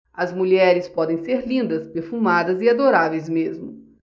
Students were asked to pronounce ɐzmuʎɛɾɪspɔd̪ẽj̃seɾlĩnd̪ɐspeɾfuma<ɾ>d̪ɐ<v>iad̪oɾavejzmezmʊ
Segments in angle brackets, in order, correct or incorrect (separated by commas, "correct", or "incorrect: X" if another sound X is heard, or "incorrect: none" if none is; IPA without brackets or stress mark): incorrect: none, incorrect: z